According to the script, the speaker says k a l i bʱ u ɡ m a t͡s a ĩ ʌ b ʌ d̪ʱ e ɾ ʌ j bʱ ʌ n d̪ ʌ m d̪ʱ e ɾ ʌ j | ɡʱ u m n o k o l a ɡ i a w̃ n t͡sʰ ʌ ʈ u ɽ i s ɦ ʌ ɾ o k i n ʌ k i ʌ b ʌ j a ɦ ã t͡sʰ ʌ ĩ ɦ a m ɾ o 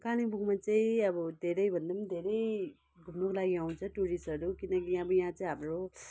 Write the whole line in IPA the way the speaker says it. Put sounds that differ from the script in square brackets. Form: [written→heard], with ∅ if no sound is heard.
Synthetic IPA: k a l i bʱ u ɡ m a t͡s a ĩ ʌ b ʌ d̪ʱ e ɾ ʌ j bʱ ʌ n d̪ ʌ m d̪ʱ e ɾ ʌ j | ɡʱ u m n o k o l a ɡ i a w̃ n t͡sʰ ʌ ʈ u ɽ i s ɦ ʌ ɾ [o→u] k i n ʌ k i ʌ b ʌ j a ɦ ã [t͡sʰ→t͡s] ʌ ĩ ɦ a m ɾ o